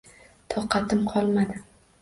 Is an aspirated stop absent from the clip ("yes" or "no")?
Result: no